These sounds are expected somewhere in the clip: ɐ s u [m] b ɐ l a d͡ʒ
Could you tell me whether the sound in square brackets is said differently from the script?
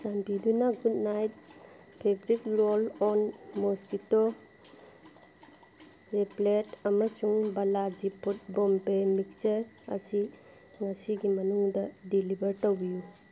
yes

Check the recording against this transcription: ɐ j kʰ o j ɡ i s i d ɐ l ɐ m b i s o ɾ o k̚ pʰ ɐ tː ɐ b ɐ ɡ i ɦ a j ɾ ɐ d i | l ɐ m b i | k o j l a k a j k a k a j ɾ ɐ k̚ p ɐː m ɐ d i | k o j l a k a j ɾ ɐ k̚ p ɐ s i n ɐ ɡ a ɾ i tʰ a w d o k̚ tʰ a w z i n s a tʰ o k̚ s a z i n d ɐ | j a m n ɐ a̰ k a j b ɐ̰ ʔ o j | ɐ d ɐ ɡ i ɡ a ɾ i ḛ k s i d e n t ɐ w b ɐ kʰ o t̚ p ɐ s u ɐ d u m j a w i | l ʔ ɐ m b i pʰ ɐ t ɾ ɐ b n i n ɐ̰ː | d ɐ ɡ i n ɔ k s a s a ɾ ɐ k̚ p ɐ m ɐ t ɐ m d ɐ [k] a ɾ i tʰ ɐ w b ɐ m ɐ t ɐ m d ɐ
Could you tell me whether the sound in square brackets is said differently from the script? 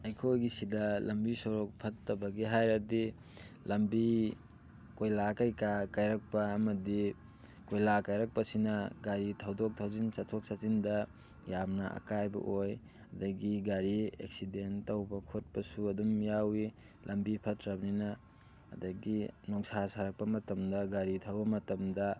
yes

